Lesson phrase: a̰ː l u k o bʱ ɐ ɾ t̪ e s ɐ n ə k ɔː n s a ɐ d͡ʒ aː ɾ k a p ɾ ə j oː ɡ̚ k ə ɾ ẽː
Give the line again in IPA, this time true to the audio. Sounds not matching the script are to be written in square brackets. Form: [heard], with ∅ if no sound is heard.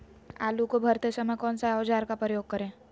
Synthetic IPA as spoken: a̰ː l u k o bʱ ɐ ɾ t̪ e s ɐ [m] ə k ɔː n s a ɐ d͡ʒ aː ɾ k a p ɾ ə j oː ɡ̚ k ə ɾ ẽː

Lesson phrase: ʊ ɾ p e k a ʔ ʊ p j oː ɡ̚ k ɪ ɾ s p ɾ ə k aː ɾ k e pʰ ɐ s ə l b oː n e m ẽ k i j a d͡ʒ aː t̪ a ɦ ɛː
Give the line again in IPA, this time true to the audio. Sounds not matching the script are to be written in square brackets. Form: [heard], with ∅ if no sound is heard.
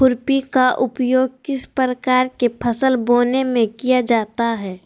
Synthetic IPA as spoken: ʊ ɾ p [i] k a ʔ ʊ p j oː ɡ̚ k ɪ [∅] s p ɾ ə k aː ɾ k e pʰ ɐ s ə l b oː n e m ẽ k i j a d͡ʒ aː t̪ a ɦ ɛː

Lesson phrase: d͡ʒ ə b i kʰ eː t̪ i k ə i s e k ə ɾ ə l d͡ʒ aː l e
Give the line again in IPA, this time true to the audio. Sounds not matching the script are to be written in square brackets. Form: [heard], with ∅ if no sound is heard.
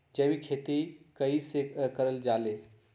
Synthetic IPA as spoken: d͡ʒ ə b i kʰ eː t̪ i k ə i s e k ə ɾ ə l d͡ʒ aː l e

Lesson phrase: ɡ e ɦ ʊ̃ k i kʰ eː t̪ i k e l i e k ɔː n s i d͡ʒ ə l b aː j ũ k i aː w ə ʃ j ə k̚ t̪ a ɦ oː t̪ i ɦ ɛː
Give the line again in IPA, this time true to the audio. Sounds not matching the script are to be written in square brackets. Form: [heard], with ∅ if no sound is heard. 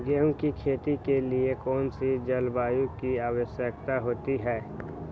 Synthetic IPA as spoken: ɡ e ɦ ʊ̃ k i kʰ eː t̪ i k e l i e k ɔː n s i d͡ʒ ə l b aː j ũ k i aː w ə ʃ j ə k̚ t̪ a ɦ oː t̪ i ɦ ɛː

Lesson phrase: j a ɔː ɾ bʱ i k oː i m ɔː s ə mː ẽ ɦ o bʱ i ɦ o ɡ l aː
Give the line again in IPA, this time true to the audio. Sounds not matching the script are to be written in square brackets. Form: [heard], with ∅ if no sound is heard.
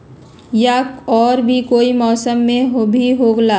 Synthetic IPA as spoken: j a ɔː ɾ bʱ i k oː i m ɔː s ə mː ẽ ɦ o bʱ i ɦ o ɡ l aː

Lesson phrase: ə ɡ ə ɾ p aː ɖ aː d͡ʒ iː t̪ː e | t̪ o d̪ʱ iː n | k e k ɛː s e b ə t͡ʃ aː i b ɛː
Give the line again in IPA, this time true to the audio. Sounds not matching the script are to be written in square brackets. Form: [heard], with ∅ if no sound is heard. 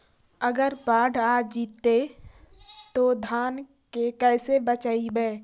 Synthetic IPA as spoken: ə ɡ ə ɾ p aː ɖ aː d͡ʒ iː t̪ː e | t̪ o d̪ʱ [aː] n | k e k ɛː s e b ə t͡ʃ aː i b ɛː

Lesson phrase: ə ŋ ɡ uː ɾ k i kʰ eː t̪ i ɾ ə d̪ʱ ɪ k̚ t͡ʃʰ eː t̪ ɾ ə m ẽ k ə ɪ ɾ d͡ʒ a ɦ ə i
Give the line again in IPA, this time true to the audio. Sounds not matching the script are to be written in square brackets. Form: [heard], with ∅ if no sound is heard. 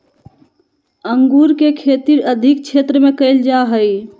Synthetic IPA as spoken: ə ŋ ɡ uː ɾ k [e] kʰ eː t̪ i ɾ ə d̪ʱ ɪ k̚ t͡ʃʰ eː t̪ ɾ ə m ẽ k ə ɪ [l] d͡ʒ a ɦ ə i

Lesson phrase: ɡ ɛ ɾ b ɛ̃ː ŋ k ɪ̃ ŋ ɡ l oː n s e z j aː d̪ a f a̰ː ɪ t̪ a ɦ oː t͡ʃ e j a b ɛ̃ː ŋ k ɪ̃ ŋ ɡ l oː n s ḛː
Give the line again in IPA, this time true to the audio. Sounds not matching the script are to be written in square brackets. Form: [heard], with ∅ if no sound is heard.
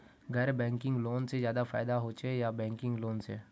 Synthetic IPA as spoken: ɡ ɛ ɾ b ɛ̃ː ŋ k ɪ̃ ŋ ɡ l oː n s e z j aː d̪ a f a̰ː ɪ [d̪] a ɦ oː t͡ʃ e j a b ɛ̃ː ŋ k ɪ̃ ŋ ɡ l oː n s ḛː

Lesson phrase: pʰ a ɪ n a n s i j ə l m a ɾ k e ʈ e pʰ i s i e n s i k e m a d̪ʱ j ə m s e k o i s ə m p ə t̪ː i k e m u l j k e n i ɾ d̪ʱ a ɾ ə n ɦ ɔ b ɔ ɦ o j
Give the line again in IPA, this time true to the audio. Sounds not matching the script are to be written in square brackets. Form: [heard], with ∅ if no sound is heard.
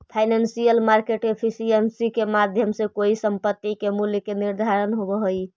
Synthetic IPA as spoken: pʰ a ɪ n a n s i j ə l m a ɾ k e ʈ e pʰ i s i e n s i k e m a d̪ʱ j ə m s e k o i s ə m p ə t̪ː i k e m u l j k e n i ɾ d̪ʱ a ɾ ə n ɦ [o] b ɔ ɦ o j

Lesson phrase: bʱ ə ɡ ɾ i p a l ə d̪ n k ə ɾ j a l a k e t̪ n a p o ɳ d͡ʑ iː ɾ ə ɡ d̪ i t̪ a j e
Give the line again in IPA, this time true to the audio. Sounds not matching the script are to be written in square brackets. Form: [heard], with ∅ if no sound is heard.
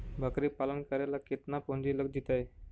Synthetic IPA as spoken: bʱ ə [k] ɾ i p a l ə [∅] n k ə ɾ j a l a k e t̪ n a p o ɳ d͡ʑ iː [l] ə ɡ d̪ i t̪ a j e

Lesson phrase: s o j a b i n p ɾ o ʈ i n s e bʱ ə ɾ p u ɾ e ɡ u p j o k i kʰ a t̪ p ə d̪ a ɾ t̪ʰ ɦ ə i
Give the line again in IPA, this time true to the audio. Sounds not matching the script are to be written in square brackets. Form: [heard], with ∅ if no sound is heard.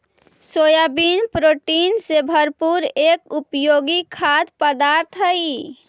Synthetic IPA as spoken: s o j a b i n p ɾ o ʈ i n s e bʱ ə ɾ p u ɾ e [k] u p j o [ɡ] i kʰ a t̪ p ə d̪ a ɾ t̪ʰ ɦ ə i

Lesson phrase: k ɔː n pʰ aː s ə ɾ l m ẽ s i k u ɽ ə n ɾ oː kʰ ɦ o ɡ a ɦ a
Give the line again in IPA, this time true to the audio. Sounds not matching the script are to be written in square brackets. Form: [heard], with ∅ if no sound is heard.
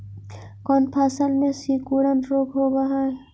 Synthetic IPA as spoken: k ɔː n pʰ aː s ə [∅] l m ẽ s i k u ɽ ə n ɾ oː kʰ ɦ o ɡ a ɦ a

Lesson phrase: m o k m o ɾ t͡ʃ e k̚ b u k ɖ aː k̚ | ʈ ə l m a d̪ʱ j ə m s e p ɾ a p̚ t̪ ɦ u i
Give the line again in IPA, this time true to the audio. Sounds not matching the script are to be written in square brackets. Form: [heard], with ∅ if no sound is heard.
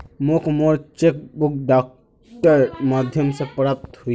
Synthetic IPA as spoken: m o k m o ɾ t͡ʃ e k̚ b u k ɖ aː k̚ | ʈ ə [ɾ] m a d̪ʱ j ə m s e p ɾ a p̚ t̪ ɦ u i

